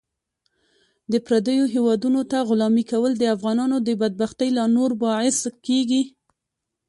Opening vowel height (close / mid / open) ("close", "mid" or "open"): mid